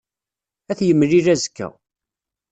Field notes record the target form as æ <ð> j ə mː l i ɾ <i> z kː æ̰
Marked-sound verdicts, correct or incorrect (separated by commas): incorrect, incorrect